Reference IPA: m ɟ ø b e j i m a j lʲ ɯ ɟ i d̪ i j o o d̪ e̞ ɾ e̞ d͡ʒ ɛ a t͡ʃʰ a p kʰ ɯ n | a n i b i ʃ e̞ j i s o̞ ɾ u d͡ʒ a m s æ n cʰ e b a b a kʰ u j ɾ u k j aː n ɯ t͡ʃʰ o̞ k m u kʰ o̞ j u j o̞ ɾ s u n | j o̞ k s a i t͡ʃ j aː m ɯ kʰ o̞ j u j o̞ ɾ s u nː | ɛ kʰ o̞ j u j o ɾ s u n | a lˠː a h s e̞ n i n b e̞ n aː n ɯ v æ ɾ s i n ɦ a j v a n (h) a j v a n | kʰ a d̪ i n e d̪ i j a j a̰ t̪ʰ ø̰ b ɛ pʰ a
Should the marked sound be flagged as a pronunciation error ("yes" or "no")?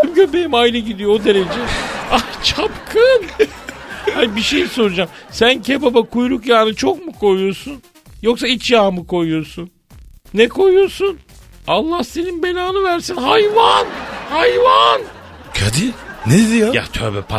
no